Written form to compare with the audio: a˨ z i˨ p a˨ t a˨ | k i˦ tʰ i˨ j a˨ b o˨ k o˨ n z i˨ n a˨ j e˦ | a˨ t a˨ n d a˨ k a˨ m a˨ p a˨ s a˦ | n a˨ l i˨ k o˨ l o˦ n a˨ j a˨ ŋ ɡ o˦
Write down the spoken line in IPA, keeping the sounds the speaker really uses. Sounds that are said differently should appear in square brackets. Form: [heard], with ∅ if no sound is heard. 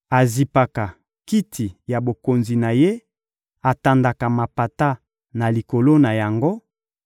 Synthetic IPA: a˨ z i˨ p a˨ [k] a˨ | k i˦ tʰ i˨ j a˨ b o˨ k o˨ n z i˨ n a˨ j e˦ | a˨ t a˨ n d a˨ k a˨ m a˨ p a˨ [t] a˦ | n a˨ l i˨ k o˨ l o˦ n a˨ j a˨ ŋ ɡ o˦